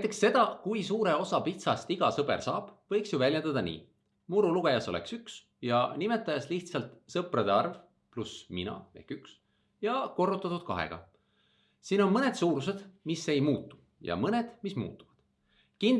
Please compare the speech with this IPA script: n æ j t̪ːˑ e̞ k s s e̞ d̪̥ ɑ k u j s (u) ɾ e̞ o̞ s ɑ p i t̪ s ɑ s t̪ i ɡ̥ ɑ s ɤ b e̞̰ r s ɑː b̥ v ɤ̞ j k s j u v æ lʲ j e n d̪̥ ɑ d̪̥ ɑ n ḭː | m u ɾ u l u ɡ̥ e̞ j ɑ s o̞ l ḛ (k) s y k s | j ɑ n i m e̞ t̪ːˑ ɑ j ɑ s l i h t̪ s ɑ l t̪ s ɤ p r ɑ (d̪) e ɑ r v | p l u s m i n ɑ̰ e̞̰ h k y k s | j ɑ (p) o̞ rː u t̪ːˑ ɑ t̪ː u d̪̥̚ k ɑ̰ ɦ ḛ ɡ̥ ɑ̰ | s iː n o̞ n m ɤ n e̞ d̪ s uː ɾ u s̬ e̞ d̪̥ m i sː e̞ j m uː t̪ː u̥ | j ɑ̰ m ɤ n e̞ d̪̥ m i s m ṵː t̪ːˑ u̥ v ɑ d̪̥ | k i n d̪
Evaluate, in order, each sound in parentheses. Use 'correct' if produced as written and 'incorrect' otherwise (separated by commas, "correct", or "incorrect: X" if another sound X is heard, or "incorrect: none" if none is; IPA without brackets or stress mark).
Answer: incorrect: uː, correct, correct, incorrect: k